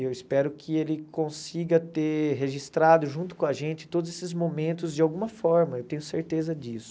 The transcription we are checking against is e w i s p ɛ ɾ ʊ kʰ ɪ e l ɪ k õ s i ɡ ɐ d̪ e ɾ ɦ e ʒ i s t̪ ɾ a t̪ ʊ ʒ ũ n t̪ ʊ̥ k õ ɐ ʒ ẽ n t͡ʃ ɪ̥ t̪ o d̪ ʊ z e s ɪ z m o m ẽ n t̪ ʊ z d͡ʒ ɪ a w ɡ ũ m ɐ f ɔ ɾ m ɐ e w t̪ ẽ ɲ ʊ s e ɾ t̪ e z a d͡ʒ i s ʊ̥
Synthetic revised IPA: e w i s p ɛ ɾ ʊ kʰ ɪ e l ɪ k õ s i ɡ ɐ t̪ e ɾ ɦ e ʒ i s t̪ ɾ a d̪ ʊ ʒ ũ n t̪ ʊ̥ k õ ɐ ʒ ẽ n t͡ʃ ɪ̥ t̪ o d̪ ʊ z e s ɪ z m o m ẽ n t̪ ʊ z d͡ʒ ɪ a w ɡ ũ m ɐ f ɔ ɾ m ɐ e w t̪ ẽ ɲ ʊ s e ɾ t̪ e z ɐ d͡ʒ i s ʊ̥